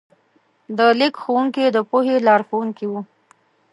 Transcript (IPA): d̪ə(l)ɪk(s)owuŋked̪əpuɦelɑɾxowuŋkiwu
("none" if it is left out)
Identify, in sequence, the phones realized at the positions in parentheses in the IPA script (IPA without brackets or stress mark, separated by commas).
l, x